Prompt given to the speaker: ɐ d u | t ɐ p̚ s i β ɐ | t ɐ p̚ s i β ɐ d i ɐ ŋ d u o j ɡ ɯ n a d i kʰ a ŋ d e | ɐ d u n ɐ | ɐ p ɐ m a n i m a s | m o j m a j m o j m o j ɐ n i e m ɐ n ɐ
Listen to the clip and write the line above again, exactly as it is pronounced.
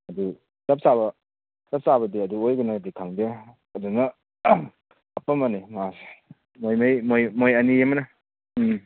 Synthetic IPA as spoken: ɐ d u | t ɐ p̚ s a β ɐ | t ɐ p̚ s a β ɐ d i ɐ d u o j ɡ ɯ n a d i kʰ a ŋ d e | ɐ d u n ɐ | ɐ p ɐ m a n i m a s | m o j m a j m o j m o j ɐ n i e m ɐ n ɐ